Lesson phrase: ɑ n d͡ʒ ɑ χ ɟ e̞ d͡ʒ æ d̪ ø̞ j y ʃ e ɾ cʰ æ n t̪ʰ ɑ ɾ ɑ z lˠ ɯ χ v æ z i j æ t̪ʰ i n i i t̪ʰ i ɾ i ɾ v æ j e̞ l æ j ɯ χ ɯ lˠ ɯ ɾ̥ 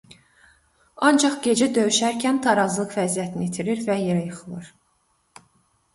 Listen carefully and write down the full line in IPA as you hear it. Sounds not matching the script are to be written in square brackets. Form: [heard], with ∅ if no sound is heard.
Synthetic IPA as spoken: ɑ n d͡ʒ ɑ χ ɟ e̞ d͡ʒ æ d̪ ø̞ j y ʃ [æ] ɾ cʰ æ n t̪ʰ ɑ ɾ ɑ z lˠ ɯ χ v æ z i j æ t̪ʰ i n i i t̪ʰ i ɾ i ɾ v æ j e̞ [ɾ] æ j ɯ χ ɯ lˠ ɯ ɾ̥